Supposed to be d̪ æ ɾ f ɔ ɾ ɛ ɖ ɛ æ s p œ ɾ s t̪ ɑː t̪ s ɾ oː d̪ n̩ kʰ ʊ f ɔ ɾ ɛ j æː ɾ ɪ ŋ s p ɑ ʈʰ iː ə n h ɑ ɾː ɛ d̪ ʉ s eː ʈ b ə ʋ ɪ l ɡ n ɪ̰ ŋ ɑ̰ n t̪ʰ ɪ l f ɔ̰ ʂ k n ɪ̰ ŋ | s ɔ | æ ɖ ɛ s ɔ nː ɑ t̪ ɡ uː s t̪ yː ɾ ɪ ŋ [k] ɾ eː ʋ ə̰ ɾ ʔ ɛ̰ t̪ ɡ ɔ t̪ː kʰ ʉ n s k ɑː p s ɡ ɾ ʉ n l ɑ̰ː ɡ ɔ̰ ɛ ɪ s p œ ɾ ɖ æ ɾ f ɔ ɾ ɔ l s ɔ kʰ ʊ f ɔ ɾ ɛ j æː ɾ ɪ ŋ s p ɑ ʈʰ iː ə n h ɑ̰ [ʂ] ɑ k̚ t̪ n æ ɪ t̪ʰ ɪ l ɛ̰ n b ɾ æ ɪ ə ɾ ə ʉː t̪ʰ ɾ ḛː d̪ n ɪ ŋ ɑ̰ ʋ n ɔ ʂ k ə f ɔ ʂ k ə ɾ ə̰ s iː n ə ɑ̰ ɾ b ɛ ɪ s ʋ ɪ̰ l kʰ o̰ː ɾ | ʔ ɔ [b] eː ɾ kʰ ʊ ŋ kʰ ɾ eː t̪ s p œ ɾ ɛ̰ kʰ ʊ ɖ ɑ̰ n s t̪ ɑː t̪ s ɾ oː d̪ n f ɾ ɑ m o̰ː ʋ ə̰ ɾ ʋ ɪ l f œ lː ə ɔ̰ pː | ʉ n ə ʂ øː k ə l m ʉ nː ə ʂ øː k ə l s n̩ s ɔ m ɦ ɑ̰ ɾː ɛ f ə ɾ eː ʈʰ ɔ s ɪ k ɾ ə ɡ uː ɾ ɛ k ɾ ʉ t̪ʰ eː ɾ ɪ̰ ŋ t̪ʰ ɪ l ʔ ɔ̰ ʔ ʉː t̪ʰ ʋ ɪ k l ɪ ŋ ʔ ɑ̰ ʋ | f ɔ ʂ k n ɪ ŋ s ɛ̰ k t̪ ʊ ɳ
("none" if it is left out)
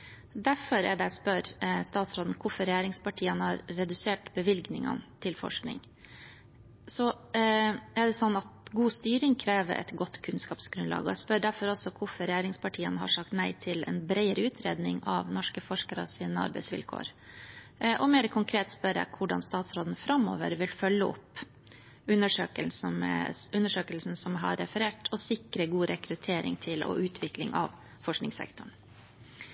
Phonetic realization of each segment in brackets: kʰ, ʂ, m

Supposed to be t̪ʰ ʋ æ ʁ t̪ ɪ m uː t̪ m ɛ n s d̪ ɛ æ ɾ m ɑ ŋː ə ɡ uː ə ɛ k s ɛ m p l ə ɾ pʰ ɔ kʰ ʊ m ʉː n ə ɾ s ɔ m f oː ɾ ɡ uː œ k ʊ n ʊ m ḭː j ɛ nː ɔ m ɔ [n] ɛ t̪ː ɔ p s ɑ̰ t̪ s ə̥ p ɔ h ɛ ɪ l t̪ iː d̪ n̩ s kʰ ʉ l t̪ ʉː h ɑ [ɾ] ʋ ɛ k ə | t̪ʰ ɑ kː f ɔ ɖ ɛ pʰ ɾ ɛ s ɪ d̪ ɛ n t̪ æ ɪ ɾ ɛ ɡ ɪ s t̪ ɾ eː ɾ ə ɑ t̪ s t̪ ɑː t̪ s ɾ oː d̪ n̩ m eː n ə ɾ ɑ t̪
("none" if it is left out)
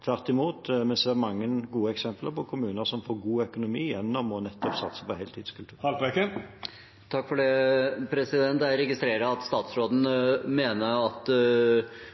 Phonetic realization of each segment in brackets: n, l

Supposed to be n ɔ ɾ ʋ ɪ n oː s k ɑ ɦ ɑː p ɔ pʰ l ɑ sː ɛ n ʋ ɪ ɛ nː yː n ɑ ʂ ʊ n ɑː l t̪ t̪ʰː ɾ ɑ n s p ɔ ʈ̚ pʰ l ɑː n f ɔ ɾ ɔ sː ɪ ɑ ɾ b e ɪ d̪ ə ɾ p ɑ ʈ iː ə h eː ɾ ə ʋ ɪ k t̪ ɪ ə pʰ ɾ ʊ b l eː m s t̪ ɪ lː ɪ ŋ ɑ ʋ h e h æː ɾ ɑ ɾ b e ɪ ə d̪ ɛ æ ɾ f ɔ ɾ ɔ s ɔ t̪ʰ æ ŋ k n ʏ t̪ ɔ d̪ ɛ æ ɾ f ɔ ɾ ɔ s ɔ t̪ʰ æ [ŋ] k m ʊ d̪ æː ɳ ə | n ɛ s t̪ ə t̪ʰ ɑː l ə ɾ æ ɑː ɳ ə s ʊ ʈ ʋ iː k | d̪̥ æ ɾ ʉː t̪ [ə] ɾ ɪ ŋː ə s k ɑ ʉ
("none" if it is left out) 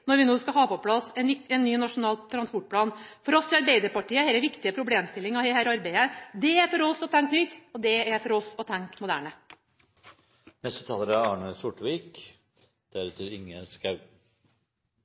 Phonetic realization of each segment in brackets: ŋ, ə

